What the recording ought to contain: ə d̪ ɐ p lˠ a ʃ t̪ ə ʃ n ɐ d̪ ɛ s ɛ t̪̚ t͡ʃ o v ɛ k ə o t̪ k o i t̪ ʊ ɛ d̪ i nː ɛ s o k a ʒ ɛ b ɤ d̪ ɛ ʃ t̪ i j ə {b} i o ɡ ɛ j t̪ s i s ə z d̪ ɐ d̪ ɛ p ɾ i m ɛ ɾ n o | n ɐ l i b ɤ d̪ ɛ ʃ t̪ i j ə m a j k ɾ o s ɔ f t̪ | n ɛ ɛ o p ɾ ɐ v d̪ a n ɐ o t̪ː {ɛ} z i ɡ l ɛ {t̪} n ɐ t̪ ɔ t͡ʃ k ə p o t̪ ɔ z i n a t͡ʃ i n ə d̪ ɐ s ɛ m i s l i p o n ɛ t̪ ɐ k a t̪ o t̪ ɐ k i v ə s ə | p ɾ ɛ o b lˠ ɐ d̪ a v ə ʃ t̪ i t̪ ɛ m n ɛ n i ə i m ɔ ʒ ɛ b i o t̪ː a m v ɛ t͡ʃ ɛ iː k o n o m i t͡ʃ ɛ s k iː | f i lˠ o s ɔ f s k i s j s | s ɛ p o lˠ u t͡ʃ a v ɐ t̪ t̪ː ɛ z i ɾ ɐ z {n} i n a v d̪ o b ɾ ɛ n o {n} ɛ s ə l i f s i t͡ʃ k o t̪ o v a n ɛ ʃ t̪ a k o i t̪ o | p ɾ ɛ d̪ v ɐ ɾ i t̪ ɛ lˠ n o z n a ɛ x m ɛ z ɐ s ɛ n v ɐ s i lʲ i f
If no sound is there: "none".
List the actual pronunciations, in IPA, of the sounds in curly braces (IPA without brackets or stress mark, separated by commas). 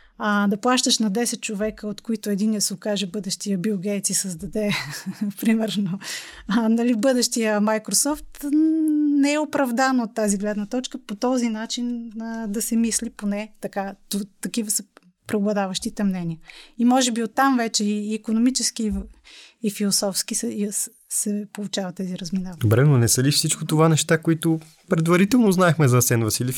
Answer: b, a, d̪, m, n